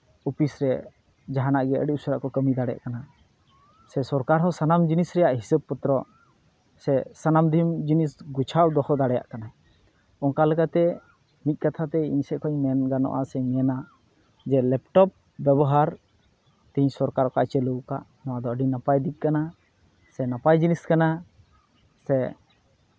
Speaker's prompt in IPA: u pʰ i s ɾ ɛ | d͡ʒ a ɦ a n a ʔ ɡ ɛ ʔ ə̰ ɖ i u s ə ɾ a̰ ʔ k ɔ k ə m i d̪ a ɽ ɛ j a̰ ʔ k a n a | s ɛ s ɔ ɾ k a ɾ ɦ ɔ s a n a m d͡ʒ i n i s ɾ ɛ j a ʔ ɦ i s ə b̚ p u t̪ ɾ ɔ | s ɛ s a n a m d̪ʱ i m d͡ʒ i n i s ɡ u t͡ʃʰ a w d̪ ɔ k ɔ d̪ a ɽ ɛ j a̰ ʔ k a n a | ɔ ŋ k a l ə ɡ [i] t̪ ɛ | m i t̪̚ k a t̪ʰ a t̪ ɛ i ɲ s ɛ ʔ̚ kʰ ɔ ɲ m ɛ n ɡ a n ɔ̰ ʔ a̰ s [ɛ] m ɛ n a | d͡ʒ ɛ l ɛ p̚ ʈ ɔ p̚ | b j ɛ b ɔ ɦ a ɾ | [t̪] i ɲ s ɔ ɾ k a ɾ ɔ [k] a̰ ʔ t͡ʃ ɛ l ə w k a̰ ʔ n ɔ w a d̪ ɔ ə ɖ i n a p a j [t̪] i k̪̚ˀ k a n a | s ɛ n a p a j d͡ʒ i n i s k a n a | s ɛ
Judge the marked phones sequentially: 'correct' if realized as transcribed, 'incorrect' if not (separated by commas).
incorrect, correct, correct, correct, incorrect